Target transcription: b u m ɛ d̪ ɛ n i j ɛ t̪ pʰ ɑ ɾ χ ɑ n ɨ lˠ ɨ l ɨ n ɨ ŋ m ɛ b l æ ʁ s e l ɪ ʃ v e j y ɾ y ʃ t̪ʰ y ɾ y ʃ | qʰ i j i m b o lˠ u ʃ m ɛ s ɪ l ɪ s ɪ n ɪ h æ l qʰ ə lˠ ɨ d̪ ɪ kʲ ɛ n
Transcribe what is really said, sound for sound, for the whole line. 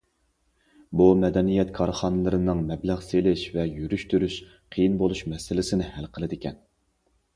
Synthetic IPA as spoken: b u m ɛ d̪ ɛ n i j ɛ t̪ kʰ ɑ ɾ χ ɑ n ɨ lˠ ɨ ɾ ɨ n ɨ ŋ m ɛ b l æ ʁ s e l ɪ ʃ v ɛ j y ɾ y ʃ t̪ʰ y ɾ y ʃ | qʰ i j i n b o lˠ u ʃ m ɛ s ɪ l ɪ s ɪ n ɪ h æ l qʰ ə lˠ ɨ d̪ ɪ kʲ ɛ n

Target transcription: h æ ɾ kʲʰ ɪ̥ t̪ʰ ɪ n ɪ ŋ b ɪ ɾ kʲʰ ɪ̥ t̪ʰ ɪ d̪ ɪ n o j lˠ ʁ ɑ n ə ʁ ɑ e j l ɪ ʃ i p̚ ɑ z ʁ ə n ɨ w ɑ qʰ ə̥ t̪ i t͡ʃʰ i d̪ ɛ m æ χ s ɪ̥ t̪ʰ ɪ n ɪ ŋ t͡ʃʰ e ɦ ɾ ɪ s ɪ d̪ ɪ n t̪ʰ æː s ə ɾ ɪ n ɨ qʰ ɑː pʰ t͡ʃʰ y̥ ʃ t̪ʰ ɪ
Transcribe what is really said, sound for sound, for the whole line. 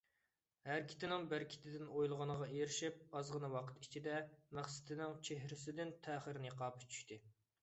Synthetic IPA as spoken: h æ ɾ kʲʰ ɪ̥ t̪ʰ ɪ n ɪ ŋ b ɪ ɾ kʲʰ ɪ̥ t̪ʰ ɪ d̪ ɪ n o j lˠ ʁ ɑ n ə ʁ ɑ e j ɾ ɪ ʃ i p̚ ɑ z ʁ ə n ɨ w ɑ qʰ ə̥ t̪ i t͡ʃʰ i d̪ ɛ m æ χ s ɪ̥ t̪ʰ ɪ n ɪ ŋ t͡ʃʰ e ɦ ɾ ɪ s ɪ d̪ ɪ n t̪ʰ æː χ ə ɾ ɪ n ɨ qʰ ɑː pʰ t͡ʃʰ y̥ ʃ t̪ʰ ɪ

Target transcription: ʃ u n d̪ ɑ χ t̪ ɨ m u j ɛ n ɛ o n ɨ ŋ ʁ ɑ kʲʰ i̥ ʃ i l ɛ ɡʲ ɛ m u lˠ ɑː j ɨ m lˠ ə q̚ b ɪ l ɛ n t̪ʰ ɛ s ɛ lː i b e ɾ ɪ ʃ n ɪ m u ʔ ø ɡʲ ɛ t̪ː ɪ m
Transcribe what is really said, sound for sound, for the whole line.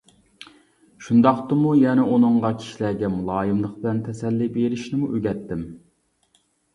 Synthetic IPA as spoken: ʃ u n d̪ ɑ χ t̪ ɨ m u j ɛ n ɛ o n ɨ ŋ ʁ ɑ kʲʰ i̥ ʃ i l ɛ ɡʲ ɛ m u lˠ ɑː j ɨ m lˠ ə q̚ b ɪ l ɛ n t̪ʰ ɛ s ɛ lː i b e ɾ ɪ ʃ n ɪ m u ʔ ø ɡʲ ɛ t̪ː ɪ m

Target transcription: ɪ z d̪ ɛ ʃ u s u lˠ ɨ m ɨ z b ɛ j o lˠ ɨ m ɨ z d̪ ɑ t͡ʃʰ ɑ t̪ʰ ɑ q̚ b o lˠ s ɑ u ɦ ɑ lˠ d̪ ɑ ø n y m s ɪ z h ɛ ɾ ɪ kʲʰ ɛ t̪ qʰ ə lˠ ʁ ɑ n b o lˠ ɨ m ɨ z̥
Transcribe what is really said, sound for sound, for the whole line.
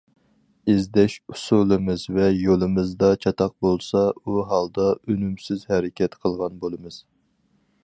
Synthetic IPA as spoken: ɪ z d̪ ɛ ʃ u s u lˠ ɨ m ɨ z v ɛ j o lˠ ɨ m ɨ z d̪ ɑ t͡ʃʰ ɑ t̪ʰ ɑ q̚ b o lˠ s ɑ u ɦ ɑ lˠ d̪ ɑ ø n y m s ɪ z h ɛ ɾ ɪ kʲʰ ɛ t̪ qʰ ə lˠ ʁ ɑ n b o lˠ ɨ m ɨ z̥

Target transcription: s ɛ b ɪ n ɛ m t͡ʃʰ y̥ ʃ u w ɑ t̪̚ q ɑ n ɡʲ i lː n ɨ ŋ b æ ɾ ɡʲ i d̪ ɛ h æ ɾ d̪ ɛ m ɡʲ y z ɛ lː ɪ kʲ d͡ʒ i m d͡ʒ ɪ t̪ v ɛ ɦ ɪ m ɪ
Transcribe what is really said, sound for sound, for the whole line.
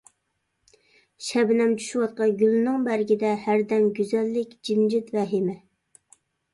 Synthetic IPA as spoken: ʃ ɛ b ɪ n ɛ m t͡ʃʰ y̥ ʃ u w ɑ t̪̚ q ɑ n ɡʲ y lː n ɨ ŋ b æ ɾ ɡʲ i d̪ ɛ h æ ɾ d̪ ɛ m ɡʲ y z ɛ lː ɪ kʲ d͡ʒ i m d͡ʒ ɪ t̪ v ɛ ɦ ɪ m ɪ

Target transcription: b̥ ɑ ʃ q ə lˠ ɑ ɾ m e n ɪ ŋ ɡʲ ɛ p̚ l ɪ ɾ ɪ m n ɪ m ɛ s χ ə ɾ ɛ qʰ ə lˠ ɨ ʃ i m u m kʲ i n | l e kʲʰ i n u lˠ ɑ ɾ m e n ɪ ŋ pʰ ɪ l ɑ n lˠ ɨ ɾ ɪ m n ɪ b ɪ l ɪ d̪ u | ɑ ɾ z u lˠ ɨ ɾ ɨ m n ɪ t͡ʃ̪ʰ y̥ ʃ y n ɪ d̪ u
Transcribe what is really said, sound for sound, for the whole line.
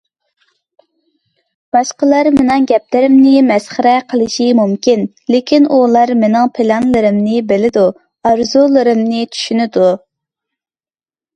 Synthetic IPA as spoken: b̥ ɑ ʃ q ə lˠ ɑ ɾ m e n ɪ ŋ ɡʲ ɛ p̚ l ɪ ɾ ɪ m n ɪ m ɛ s χ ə ɾ ɛ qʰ ə lˠ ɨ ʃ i m u m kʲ i n | l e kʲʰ i n u lˠ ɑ ɾ m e n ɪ ŋ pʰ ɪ l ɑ n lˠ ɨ ɾ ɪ m n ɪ b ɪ l ɪ d̪ u | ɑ ɾ z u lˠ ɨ ɾ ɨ m n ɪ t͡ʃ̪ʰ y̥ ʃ y n ɪ d̪ u

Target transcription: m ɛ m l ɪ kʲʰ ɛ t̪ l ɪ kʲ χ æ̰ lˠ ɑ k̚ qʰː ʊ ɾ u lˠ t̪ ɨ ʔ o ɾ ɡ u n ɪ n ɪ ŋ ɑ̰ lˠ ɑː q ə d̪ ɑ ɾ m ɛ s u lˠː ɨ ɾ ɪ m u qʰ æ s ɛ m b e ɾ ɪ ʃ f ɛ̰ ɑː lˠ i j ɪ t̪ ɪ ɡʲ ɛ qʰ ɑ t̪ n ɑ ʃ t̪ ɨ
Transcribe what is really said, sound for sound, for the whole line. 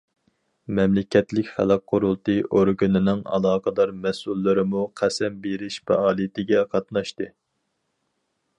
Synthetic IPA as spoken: m ɛ m l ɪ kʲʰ ɛ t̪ l ɪ kʲ χ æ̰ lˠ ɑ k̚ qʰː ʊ ɾ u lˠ t̪ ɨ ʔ o ɾ ɡ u n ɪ n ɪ ŋ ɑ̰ lˠ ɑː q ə d̪ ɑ ɾ m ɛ s u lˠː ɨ ɾ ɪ m u qʰ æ s ɛ m b e ɾ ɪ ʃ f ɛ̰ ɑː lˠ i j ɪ t̪ ɪ ɡʲ ɛ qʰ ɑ t̪ n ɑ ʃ t̪ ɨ

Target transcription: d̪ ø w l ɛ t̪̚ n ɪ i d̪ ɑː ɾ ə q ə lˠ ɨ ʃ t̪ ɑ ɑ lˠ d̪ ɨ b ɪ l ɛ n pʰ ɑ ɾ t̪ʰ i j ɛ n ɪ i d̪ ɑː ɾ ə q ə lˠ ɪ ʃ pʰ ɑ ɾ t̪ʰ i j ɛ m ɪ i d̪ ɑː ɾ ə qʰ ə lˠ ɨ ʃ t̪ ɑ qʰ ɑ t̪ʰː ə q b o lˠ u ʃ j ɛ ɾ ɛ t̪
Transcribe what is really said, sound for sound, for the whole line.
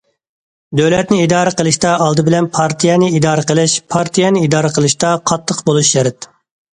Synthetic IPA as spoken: d̪ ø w l ɛ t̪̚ n ɪ i d̪ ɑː ɾ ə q ə lˠ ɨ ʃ t̪ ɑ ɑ lˠ d̪ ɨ b ɪ l ɛ n pʰ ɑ ɾ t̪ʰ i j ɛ n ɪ i d̪ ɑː ɾ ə q ə lˠ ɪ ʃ pʰ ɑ ɾ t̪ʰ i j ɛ n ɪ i d̪ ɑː ɾ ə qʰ ə lˠ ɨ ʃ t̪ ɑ qʰ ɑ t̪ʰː ə q b o lˠ u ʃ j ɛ ɾ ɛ t̪

